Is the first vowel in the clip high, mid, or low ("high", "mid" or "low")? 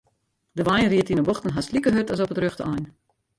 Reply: mid